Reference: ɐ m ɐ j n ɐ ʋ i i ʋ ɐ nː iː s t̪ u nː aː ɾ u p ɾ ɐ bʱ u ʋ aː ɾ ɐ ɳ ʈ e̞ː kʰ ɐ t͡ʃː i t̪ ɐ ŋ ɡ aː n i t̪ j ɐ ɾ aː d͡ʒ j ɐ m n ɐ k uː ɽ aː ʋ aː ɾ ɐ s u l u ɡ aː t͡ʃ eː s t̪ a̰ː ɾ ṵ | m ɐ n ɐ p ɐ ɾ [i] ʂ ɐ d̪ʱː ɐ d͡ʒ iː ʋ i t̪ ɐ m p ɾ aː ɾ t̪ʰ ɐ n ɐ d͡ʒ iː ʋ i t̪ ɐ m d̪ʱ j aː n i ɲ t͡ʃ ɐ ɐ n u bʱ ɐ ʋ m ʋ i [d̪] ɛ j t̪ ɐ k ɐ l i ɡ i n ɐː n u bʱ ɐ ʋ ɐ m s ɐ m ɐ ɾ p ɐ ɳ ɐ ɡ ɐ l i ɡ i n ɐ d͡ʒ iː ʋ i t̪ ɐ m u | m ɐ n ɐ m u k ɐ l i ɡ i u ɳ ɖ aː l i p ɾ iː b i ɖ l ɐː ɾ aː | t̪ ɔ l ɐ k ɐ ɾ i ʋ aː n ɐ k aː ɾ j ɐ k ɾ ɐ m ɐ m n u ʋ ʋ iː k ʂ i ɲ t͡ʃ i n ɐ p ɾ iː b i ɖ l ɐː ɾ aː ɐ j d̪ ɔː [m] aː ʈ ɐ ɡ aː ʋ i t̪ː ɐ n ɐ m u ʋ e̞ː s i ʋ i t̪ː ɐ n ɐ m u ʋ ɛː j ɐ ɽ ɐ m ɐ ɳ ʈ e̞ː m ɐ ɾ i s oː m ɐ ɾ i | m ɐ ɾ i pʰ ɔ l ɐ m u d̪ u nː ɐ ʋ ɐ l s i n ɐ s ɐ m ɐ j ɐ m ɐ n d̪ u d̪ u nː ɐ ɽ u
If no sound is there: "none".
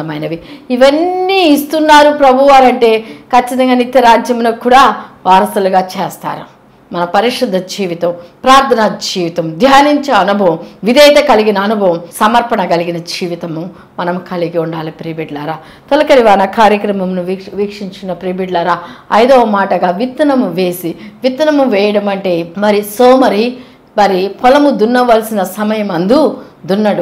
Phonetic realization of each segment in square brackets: i, d̪, m

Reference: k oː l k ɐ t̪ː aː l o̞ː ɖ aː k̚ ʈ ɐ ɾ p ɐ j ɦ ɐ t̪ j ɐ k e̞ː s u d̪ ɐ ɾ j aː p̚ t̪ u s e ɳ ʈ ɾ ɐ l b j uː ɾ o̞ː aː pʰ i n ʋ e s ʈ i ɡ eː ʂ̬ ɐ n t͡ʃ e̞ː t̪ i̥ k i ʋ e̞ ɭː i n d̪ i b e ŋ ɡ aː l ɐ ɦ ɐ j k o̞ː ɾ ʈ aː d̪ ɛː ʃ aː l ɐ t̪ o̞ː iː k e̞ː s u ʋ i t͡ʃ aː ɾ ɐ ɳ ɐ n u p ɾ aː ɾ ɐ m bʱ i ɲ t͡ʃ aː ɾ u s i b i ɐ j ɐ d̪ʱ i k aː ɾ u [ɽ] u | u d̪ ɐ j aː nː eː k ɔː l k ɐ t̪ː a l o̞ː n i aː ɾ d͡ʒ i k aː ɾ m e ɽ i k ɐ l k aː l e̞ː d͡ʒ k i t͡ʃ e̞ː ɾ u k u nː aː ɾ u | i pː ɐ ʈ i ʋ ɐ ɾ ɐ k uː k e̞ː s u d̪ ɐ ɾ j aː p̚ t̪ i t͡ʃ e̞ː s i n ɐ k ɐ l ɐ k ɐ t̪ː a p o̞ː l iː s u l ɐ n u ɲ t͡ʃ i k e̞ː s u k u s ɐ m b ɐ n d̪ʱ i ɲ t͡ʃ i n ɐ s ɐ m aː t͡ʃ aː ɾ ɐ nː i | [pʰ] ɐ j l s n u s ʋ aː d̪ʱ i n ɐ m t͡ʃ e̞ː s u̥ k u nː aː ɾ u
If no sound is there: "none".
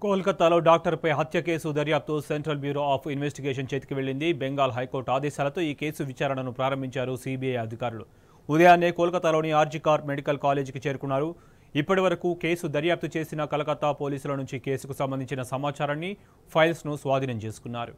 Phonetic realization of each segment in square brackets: l, pʰ

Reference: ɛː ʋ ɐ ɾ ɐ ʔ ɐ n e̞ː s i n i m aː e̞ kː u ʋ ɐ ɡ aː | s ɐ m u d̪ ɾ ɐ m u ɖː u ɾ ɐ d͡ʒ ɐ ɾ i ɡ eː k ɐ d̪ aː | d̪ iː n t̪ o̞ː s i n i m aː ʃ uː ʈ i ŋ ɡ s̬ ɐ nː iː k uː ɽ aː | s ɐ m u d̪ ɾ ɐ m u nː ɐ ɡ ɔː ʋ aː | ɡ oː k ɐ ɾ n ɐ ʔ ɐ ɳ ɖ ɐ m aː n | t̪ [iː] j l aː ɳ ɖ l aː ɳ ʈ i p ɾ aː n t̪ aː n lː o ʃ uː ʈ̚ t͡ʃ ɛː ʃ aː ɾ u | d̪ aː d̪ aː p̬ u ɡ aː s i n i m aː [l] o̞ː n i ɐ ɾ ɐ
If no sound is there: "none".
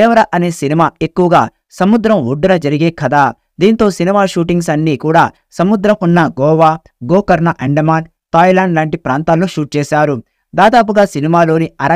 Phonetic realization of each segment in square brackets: aː, l

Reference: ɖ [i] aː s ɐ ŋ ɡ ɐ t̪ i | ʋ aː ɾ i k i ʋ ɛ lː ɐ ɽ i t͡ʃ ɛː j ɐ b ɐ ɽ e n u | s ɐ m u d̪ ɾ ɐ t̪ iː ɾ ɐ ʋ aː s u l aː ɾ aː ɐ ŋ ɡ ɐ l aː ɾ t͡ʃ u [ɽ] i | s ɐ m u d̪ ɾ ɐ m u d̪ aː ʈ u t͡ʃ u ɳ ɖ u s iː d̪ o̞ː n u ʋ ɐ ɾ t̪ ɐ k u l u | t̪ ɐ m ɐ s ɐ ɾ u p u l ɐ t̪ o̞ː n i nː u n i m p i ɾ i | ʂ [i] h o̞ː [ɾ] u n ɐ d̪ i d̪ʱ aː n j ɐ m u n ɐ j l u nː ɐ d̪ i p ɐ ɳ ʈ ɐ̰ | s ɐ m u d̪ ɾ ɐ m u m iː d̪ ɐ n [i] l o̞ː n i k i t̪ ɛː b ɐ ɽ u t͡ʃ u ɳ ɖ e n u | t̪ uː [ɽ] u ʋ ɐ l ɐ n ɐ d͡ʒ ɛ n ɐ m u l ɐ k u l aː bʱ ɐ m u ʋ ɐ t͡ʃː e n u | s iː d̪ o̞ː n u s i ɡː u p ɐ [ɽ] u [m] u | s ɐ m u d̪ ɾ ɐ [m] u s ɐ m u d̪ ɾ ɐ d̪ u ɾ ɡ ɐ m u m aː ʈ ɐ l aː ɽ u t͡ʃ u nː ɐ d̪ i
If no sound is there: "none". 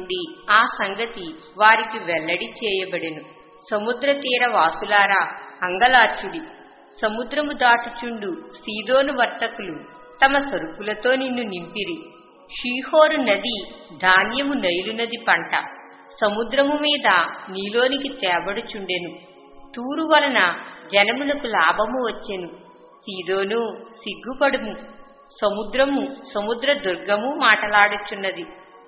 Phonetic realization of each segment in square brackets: i, ɽ, iː, ɾ, iː, ɾ, ɽ, m, m

